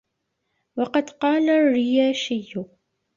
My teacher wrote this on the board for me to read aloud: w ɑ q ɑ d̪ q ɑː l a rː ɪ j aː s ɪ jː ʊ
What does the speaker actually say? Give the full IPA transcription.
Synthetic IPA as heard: w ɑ q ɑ d̪ q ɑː l a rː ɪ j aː ʃ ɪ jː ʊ